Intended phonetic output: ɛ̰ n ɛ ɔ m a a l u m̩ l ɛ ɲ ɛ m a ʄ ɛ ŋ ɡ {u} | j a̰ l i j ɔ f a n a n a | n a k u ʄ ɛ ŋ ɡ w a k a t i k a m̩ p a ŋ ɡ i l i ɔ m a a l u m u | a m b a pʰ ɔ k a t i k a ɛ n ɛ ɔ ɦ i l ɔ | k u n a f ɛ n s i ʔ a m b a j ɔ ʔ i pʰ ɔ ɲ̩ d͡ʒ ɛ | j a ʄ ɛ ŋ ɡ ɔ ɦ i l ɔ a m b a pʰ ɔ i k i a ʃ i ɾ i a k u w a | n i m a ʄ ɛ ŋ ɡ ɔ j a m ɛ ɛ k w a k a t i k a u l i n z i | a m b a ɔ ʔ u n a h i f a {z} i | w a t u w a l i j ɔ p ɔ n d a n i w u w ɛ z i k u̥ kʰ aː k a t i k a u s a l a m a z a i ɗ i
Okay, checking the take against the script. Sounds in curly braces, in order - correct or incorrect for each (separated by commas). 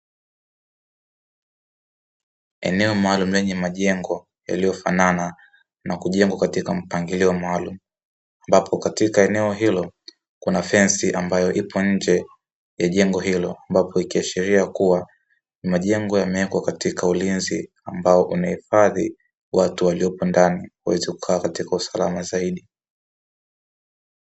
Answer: incorrect, incorrect